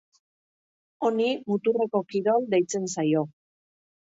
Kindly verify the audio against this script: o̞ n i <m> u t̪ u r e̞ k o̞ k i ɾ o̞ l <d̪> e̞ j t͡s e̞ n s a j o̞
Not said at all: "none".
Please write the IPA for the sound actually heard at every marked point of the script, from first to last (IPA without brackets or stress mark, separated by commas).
m, d̪